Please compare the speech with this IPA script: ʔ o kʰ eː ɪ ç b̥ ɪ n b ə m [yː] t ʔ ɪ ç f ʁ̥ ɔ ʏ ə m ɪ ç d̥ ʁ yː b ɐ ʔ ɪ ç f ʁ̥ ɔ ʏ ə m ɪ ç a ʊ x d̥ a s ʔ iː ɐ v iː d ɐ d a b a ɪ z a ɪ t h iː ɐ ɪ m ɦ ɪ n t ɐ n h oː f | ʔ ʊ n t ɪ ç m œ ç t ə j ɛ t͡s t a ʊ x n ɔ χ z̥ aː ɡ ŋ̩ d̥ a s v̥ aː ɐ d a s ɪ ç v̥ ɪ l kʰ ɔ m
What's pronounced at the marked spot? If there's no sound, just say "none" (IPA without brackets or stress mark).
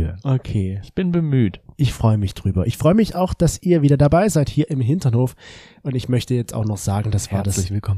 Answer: yː